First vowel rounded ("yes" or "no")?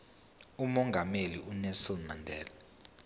yes